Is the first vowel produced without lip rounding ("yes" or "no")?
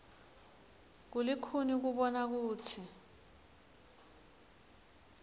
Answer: no